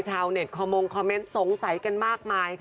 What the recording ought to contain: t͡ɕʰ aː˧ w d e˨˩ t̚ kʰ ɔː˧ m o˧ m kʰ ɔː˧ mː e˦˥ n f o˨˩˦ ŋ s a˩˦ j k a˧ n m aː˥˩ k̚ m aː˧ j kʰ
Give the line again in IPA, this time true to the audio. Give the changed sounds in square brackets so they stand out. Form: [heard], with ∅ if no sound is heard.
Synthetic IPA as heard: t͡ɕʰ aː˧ w [n] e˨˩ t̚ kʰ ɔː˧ m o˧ [ŋ] kʰ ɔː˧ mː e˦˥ n [s] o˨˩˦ ŋ s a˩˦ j k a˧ n m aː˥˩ k̚ m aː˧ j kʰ